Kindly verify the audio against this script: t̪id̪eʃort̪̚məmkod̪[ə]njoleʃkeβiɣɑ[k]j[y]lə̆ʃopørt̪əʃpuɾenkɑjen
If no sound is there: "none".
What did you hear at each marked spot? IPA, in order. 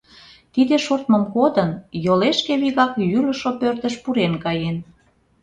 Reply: ə, k, y

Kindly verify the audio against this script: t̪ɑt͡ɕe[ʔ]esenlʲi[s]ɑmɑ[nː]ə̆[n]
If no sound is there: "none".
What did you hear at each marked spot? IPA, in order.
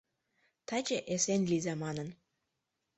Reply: ʔ, z, n, n

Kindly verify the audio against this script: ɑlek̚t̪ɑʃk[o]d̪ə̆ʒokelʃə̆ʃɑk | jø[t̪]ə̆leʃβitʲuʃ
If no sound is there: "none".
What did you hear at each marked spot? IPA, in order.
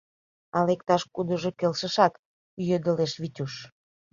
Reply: u, d̪

